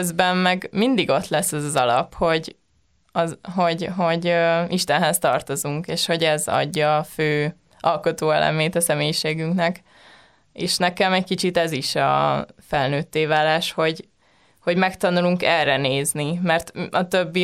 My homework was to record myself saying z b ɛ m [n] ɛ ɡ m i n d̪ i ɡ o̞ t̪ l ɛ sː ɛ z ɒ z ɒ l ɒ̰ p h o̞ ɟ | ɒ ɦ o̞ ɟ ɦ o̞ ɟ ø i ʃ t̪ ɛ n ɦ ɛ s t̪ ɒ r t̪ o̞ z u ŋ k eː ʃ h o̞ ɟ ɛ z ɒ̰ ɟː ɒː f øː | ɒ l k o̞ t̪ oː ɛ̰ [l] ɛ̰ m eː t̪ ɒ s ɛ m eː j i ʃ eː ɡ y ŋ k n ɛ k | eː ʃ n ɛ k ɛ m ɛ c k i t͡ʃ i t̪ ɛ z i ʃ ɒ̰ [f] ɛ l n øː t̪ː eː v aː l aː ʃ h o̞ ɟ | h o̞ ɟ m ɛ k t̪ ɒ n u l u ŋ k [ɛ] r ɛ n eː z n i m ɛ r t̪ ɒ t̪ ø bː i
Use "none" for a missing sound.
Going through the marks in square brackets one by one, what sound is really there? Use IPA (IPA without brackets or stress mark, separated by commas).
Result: m, l, f, ɛ